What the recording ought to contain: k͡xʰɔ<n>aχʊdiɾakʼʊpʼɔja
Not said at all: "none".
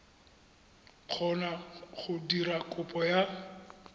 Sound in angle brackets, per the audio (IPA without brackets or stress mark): n